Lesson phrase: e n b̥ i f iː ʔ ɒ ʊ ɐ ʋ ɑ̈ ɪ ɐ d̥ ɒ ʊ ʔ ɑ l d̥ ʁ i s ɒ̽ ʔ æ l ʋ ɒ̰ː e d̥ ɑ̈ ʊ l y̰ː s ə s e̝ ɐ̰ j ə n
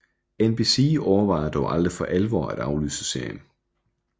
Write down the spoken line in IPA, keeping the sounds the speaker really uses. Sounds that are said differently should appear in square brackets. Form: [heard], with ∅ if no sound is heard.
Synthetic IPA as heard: e n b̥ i [s] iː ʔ ɒ ʊ ɐ ʋ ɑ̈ ɪ ɐ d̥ ɒ ʊ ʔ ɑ l d̥ ʁ i [f] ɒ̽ ʔ æ l ʋ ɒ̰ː [æ] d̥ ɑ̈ ʊ l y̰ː s ə s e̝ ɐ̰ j ə n